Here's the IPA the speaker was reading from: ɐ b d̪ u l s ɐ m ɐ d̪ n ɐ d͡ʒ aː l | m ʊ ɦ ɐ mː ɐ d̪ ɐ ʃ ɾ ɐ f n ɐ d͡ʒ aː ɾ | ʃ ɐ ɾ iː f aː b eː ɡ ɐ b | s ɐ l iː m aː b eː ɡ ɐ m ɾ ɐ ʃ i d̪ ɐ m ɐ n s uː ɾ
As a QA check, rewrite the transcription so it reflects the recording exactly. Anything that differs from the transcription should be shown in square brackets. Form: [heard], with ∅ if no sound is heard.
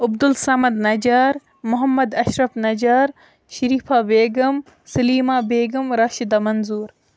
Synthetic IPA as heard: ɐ b d̪ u l s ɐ m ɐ d̪ n ɐ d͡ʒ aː [ɾ] | m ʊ ɦ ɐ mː ɐ d̪ ɐ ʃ ɾ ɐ f n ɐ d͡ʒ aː ɾ | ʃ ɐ ɾ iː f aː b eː ɡ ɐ [m] | s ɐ l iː m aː b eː ɡ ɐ m ɾ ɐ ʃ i d̪ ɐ m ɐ n [z] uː ɾ